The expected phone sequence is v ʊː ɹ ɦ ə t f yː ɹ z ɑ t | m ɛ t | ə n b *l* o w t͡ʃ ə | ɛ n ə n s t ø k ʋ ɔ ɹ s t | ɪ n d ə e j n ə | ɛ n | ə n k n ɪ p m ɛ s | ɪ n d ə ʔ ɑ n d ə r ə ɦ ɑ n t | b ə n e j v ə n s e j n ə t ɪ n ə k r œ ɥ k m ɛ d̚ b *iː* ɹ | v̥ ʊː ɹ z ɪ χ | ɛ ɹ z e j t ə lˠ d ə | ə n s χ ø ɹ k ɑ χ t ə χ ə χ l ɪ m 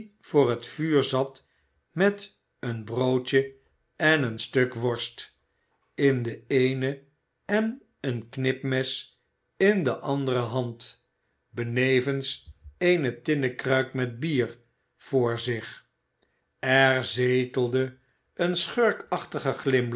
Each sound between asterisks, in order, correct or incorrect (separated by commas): incorrect, correct